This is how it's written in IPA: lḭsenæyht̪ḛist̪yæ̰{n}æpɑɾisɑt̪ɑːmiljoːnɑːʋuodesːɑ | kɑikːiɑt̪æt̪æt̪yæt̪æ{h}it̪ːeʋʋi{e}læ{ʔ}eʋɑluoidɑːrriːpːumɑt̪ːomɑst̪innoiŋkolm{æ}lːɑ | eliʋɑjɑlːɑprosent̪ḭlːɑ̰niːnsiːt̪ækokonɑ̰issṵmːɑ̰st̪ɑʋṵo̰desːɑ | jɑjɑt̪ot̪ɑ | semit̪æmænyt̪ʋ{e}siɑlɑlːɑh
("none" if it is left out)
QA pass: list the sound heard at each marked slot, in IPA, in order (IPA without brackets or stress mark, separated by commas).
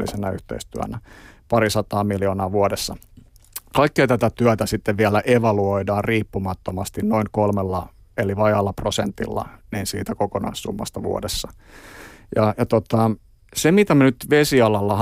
n, s, æ, ʔ, e, e